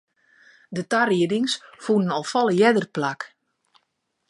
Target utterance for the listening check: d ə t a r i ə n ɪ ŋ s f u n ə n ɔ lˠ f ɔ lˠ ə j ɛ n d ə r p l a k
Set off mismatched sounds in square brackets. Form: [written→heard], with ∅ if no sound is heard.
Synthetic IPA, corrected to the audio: d ə t a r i ə [n→d] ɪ ŋ s f u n ə n ɔ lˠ f ɔ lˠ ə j ɛ [n→∅] d ə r p l a k

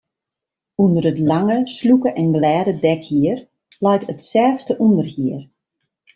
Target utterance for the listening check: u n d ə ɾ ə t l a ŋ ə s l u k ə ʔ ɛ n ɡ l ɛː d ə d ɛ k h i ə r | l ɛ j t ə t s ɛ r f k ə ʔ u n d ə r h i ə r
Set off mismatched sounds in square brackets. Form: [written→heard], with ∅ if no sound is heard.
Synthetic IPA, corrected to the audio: u n d ə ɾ ə t l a ŋ ə s l u k ə ʔ ɛ n ɡ l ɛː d ə d ɛ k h i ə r | l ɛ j t ə t s ɛ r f [k→t] ə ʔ u n d ə r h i ə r

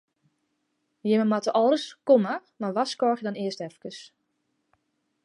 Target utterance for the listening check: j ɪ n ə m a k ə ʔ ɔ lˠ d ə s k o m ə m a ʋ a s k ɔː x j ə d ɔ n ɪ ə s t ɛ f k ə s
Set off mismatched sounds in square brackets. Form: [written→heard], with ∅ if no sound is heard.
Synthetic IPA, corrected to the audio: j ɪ [n→m] ə m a [k→t] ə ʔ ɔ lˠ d ə s k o m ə m a ʋ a s k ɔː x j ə d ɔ n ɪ ə s t ɛ f k ə s

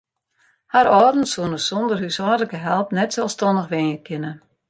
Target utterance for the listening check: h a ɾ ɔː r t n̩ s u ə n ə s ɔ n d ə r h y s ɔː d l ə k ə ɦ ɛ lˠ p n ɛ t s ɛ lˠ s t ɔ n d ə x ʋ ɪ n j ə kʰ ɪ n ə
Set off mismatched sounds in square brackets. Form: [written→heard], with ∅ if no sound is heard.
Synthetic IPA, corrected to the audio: h a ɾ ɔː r [t→d] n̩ s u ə n ə s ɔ n d ə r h y s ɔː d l ə k ə ɦ ɛ lˠ p n ɛ t s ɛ lˠ s t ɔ n d ə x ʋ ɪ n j ə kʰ ɪ n ə

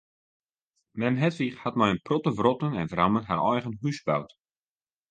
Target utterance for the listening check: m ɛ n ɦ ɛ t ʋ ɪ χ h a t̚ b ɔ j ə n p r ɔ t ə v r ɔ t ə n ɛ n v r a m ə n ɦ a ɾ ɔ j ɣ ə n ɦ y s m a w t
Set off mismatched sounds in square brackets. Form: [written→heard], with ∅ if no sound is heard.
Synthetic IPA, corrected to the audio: m ɛ n ɦ ɛ t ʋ [ɪ→i] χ h a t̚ [b→m] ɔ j ə n p r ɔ t ə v r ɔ t ə n ɛ n v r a m ə n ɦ a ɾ ɔ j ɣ ə n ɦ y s [m→b] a w t

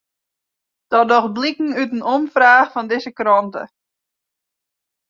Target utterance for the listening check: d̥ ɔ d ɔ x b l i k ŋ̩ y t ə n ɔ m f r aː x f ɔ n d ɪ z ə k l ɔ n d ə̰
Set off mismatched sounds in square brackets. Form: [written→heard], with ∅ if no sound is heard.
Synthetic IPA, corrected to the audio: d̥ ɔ d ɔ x b l i k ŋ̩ y t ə n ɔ m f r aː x f ɔ n d ɪ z ə k [l→r] ɔ n [d→t] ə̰

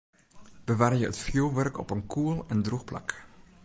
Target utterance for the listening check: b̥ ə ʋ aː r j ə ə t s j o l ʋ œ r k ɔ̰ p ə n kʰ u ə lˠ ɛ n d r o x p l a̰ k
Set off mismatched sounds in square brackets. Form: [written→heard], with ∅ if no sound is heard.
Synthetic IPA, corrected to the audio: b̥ ə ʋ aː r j ə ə t [s→f] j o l ʋ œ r k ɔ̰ p ə n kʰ u ə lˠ ɛ n d r [o→u] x p l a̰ k

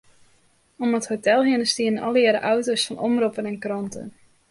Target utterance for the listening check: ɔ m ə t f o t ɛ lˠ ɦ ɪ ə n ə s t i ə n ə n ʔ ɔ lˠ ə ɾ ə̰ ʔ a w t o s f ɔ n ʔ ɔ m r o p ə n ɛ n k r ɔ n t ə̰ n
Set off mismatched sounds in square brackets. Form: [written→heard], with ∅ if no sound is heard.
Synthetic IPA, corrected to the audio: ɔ m ə t [f→h] o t ɛ lˠ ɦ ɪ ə n ə s t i ə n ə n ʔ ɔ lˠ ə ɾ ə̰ ʔ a w t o s f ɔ n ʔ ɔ m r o p ə n ɛ n k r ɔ n t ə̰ n

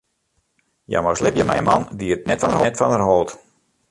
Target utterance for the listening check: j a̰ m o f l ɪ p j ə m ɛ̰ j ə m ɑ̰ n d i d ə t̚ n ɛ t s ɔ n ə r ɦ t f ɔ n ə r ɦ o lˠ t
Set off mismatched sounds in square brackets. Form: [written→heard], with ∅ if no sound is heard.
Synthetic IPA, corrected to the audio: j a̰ m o [f→s] l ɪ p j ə m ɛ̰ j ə m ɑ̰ n d i [d→∅] ə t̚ n ɛ t [s→f] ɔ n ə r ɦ t f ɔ n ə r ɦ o lˠ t

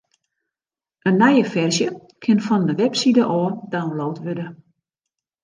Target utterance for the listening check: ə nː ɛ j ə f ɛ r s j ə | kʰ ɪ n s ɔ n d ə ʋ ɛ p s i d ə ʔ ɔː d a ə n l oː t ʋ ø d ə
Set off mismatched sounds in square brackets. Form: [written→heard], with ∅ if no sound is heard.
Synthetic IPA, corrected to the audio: ə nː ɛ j ə f ɛ r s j ə | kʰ ɪ n [s→f] ɔ n d ə ʋ ɛ p s i d ə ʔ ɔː d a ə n l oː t ʋ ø d ə

